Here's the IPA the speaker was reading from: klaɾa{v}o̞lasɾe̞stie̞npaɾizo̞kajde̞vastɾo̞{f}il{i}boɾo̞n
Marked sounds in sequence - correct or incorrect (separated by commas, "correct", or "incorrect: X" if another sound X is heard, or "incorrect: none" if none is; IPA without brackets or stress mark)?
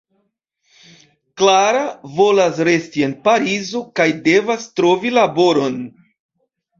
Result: correct, incorrect: v, incorrect: a